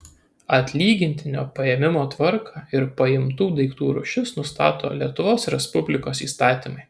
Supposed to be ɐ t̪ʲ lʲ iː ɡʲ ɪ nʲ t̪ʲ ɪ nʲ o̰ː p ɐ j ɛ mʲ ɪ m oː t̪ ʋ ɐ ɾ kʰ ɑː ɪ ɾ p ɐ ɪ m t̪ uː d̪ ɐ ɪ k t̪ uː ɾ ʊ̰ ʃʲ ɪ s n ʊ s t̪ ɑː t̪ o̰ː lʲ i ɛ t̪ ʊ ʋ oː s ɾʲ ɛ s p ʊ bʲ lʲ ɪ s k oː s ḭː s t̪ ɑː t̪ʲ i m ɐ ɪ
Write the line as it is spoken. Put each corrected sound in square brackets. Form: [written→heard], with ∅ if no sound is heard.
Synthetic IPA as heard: ɐ t̪ʲ lʲ iː ɡʲ ɪ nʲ t̪ʲ ɪ nʲ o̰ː p ɐ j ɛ mʲ ɪ m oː t̪ ʋ ɐ ɾ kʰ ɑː ɪ ɾ p ɐ ɪ m t̪ uː d̪ ɐ ɪ k t̪ uː ɾ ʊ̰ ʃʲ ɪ s n ʊ s t̪ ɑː t̪ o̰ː lʲ i ɛ t̪ ʊ ʋ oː s ɾʲ ɛ s p ʊ bʲ lʲ ɪ [s→∅] k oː s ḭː s t̪ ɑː t̪ʲ i m ɐ ɪ